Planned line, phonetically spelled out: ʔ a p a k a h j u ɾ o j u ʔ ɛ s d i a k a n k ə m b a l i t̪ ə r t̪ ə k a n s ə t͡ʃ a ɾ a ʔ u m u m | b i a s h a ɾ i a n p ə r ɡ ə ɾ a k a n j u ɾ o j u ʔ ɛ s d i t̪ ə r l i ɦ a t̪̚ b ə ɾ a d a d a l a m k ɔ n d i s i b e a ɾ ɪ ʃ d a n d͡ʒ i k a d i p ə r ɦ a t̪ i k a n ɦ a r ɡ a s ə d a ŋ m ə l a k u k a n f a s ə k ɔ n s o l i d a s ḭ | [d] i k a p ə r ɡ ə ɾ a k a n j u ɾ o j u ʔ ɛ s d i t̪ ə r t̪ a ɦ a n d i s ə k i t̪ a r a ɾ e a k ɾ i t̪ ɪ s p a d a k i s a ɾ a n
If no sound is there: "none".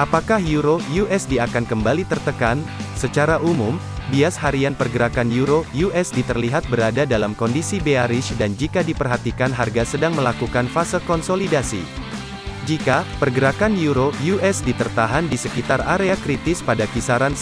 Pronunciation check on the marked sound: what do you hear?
d͡ʒ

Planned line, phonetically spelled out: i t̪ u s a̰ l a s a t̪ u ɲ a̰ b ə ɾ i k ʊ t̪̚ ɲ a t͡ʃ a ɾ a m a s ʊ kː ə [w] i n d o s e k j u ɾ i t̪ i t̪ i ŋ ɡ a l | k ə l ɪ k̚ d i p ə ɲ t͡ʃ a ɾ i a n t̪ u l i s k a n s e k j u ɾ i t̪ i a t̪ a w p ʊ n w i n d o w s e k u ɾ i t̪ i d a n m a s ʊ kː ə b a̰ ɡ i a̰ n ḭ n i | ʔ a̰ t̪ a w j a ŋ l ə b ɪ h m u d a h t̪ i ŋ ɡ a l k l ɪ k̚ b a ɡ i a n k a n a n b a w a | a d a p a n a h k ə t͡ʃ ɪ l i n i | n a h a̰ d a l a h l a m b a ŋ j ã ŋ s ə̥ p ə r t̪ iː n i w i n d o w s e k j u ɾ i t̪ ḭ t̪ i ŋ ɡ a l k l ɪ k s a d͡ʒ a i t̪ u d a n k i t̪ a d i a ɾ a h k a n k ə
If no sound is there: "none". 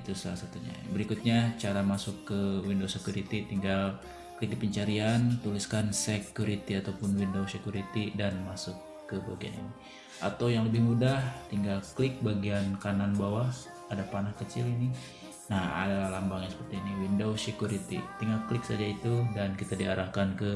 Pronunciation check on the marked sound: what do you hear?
w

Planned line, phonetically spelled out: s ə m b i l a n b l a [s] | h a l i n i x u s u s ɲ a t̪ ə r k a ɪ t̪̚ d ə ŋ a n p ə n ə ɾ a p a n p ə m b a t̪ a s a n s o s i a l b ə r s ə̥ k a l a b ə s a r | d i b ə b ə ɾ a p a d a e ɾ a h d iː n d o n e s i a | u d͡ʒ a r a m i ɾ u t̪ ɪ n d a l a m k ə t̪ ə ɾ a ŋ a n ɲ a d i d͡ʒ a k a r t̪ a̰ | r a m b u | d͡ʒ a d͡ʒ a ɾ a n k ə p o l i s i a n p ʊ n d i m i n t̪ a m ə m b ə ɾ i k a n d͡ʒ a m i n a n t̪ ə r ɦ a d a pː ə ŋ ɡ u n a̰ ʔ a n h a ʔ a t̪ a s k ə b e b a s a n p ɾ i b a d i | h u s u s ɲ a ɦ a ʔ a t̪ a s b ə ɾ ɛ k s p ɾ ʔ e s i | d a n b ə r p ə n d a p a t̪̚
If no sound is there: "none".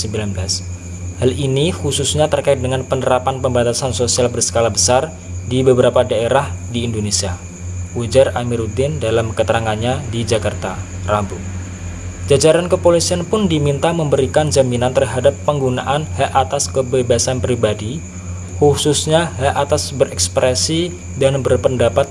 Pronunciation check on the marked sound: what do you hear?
s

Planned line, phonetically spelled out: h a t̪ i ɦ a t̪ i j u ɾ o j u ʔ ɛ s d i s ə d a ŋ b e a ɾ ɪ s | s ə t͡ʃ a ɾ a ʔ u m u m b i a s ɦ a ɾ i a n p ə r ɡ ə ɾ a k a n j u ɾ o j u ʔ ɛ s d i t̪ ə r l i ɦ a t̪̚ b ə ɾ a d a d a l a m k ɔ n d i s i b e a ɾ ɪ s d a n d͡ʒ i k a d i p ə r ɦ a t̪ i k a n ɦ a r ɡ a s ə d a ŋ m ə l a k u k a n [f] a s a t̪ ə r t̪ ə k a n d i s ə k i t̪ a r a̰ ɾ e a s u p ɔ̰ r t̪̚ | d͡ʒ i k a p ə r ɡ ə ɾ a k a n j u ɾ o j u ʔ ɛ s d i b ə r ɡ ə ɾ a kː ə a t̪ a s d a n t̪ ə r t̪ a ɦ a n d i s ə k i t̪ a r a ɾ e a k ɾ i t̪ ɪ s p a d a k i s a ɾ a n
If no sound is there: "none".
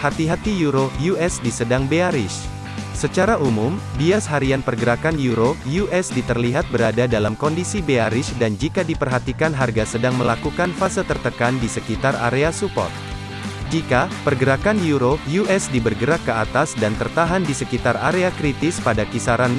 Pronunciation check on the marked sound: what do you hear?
f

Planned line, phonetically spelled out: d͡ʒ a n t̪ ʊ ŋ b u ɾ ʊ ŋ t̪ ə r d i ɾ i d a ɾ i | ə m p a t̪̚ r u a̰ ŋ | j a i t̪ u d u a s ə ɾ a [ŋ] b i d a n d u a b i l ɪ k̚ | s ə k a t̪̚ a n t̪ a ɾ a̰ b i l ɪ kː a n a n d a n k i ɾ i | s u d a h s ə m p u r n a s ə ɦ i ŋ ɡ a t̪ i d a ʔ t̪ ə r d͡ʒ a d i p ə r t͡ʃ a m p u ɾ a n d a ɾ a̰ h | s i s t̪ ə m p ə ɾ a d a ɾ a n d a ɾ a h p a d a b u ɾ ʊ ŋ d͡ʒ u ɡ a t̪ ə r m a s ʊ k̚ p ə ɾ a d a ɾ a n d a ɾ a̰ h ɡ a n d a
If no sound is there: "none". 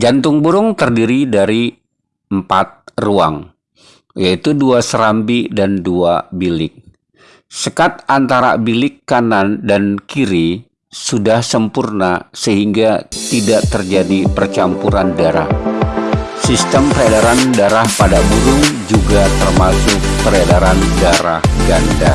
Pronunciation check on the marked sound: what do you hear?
m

